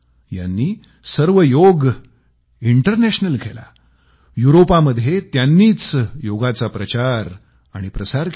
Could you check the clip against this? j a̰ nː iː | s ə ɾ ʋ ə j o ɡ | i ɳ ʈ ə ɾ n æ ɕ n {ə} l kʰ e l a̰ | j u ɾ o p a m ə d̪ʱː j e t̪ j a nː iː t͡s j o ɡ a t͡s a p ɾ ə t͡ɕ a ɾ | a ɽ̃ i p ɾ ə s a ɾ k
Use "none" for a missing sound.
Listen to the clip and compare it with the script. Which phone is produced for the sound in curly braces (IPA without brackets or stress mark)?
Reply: ə